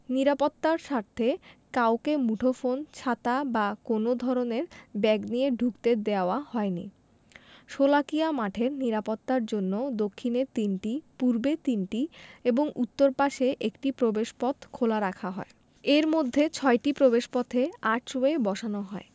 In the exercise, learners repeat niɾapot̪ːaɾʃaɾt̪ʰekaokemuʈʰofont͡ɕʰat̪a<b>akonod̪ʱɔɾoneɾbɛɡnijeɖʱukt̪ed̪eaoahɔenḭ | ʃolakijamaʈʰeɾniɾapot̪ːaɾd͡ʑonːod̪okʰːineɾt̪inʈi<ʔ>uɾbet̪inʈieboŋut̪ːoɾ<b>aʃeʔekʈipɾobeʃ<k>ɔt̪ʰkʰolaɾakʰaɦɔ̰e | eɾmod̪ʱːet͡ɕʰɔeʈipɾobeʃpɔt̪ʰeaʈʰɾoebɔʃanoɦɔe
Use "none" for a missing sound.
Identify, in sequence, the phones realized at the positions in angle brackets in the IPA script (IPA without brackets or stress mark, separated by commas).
b, p, p, p